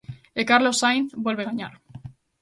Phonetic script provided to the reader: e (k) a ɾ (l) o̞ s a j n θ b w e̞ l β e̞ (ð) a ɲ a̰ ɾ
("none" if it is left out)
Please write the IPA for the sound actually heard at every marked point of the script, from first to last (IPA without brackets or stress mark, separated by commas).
k, l, ɣ